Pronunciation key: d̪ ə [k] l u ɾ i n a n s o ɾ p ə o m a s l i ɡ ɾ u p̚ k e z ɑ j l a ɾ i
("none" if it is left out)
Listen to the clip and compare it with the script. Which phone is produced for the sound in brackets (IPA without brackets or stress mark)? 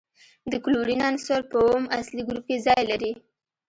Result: k